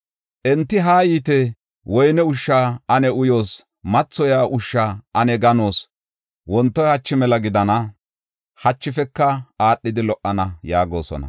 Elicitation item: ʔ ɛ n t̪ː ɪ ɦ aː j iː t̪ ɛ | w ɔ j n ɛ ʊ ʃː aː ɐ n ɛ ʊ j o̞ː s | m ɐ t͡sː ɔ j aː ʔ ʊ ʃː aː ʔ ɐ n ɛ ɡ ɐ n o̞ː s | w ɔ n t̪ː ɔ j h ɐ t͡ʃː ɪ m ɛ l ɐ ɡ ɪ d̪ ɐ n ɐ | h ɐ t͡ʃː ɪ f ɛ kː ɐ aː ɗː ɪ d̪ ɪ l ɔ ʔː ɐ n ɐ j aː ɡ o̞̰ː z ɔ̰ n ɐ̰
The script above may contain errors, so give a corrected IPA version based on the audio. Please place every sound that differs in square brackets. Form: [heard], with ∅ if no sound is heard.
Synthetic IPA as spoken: ʔ ɛ n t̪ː ɪ ɦ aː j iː t̪ ɛ | w ɔ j n ɛ ʊ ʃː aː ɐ n ɛ ʊ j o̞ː s | m ɐ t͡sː ɔ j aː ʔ ʊ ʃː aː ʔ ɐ n ɛ ɡ ɐ n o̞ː s | w ɔ n t̪ː ɔ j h ɐ t͡ʃː ɪ m ɛ l ɐ ɡ ɪ d̪ ɐ n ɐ | h ɐ t͡ʃː ɪ f ɛ kː ɐ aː ɗː ɪ d̪ ɪ l ɔ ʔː ɐ n ɐ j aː ɡ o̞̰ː [s] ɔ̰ n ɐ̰

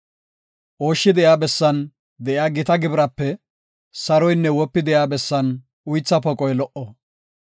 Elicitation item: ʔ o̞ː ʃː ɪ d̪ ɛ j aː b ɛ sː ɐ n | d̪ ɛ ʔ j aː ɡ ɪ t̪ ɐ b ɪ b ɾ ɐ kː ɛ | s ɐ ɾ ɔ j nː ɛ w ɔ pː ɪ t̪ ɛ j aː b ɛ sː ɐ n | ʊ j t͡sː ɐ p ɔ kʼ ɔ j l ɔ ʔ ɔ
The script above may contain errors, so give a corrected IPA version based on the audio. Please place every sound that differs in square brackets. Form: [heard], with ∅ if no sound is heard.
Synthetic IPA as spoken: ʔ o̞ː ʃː ɪ d̪ ɛ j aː b ɛ sː ɐ n | d̪ ɛ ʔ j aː ɡ ɪ t̪ ɐ [ɡ] ɪ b ɾ ɐ [pː] ɛ | s ɐ ɾ ɔ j nː ɛ w ɔ pː ɪ [d̪] ɛ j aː b ɛ sː ɐ n | ʊ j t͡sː ɐ p ɔ kʼ ɔ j l ɔ ʔ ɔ

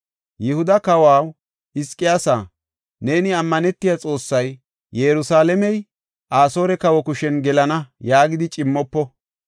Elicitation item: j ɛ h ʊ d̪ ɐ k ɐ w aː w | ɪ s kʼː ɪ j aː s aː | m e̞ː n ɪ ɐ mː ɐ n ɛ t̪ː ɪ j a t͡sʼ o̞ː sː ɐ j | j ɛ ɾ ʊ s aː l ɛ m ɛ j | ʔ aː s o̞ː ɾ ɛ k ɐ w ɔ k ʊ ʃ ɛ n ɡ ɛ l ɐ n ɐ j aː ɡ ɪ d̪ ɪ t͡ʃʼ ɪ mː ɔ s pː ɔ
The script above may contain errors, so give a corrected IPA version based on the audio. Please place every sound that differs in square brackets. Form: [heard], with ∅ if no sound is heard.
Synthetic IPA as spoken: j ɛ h ʊ d̪ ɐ k ɐ w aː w | ɪ s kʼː ɪ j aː s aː | [n] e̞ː n ɪ ɐ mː ɐ n ɛ t̪ː ɪ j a t͡sʼ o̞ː sː ɐ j | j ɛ ɾ ʊ s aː l ɛ m ɛ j | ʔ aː s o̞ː ɾ ɛ k ɐ w ɔ k ʊ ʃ ɛ n ɡ ɛ l ɐ n ɐ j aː ɡ ɪ d̪ ɪ t͡ʃʼ ɪ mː ɔ [∅] pː ɔ

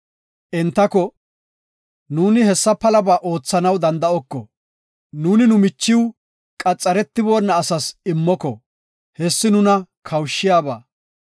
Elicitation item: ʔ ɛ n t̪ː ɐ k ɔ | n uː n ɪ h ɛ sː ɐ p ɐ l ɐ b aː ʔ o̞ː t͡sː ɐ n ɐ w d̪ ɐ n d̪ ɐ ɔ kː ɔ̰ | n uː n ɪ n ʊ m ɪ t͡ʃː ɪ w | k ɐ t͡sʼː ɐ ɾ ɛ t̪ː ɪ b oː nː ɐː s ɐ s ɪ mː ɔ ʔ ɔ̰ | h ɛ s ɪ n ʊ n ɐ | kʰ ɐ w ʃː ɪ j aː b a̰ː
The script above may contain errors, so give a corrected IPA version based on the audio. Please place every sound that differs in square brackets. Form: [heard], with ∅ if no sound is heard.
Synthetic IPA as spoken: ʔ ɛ n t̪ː ɐ k ɔ | n uː n ɪ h ɛ sː ɐ p ɐ l ɐ b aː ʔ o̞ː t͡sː ɐ n ɐ w d̪ ɐ n d̪ ɐ ɔ kː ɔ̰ | n uː n ɪ n ʊ m ɪ t͡ʃː ɪ w | [kʼ] ɐ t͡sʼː ɐ ɾ ɛ t̪ː ɪ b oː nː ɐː s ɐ s ɪ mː ɔ [k] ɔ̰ | h ɛ [sː] ɪ n ʊ n ɐ | kʰ ɐ w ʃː ɪ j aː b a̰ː

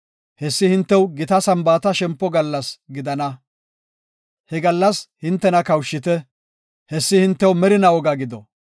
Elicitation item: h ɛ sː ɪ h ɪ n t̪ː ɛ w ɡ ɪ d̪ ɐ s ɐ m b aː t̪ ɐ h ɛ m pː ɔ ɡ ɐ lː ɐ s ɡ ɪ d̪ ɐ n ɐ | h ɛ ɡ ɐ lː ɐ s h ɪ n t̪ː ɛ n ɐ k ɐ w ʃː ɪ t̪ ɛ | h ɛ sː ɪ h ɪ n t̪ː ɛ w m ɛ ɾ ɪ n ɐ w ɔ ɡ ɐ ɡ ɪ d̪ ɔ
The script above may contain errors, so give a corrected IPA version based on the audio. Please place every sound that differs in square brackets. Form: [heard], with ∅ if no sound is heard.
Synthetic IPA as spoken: h ɛ sː ɪ h ɪ n t̪ː ɛ w ɡ ɪ [t̪] ɐ s ɐ m b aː t̪ ɐ [ʃ] ɛ m pː ɔ ɡ ɐ lː ɐ s ɡ ɪ d̪ ɐ n ɐ | h ɛ ɡ ɐ lː ɐ s h ɪ n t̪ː ɛ n ɐ k ɐ w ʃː ɪ t̪ ɛ | h ɛ sː ɪ h ɪ n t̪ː ɛ w m ɛ ɾ ɪ n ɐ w ɔ ɡ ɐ ɡ ɪ d̪ ɔ

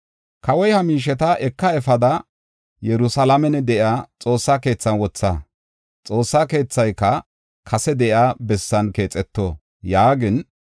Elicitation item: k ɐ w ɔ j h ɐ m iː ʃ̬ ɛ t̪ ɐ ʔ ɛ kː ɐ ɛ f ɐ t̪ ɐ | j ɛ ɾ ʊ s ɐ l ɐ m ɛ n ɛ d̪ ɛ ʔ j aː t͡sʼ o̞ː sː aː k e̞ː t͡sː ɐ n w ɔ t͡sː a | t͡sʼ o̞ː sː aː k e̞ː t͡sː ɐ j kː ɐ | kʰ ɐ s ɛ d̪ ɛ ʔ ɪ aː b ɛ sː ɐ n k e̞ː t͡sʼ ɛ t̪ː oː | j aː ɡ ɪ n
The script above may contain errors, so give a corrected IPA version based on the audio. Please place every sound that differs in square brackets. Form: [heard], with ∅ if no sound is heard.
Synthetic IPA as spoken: k ɐ w ɔ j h ɐ m iː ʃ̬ ɛ t̪ ɐ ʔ ɛ kː ɐ ɛ f ɐ [d̪] ɐ | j ɛ ɾ ʊ s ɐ l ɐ m ɛ n ɛ d̪ ɛ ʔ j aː t͡sʼ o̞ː sː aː k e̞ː t͡sː ɐ n w ɔ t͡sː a | t͡sʼ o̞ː sː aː k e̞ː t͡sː ɐ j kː ɐ | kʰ ɐ s ɛ d̪ ɛ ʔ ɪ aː b ɛ sː ɐ n k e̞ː t͡sʼ ɛ t̪ː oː | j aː ɡ ɪ n

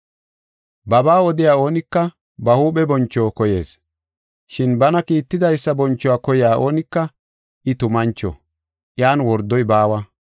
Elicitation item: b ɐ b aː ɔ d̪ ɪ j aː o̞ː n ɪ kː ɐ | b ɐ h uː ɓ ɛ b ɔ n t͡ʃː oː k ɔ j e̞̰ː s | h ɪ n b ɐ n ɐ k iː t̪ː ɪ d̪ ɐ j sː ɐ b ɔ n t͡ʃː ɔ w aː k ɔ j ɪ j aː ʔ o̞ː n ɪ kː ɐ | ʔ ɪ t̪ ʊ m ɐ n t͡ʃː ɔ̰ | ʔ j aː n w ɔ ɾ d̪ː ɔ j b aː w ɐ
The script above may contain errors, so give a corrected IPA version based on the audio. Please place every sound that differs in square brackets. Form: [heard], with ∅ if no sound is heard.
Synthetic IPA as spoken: b ɐ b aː ɔ d̪ ɪ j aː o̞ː n ɪ kː ɐ | b ɐ h uː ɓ ɛ b ɔ n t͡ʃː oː k ɔ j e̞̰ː s | [ʃ] ɪ n b ɐ n ɐ k iː t̪ː ɪ d̪ ɐ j sː ɐ b ɔ n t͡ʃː ɔ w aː k ɔ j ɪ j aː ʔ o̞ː n ɪ kː ɐ | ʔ ɪ t̪ ʊ m ɐ n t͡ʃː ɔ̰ | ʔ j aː n w ɔ ɾ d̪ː ɔ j b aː w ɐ

